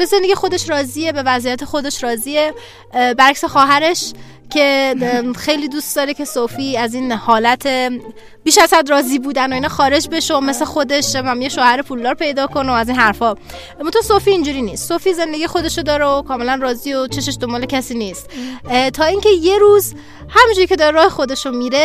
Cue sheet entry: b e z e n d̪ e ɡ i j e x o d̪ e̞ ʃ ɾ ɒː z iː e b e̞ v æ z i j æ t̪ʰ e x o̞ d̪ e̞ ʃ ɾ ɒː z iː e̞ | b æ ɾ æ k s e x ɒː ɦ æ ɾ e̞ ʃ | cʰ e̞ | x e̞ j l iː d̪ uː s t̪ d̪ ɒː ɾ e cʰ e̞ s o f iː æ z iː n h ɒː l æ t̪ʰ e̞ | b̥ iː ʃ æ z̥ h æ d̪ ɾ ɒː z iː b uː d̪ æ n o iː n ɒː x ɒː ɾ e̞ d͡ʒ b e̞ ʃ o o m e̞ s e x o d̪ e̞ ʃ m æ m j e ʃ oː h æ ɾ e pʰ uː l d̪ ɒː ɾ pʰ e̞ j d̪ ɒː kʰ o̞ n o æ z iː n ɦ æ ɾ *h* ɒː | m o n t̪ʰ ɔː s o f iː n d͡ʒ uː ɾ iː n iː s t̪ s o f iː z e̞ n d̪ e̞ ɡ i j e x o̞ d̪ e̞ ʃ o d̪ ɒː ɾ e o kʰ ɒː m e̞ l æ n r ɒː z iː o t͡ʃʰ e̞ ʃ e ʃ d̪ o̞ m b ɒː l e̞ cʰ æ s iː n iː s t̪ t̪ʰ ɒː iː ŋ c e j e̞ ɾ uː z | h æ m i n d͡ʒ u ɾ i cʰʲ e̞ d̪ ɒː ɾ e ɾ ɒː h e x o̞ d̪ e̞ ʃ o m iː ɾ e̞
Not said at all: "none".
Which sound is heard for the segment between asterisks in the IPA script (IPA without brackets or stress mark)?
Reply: f